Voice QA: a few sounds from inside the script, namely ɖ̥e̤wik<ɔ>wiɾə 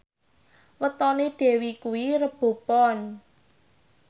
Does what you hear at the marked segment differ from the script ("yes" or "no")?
yes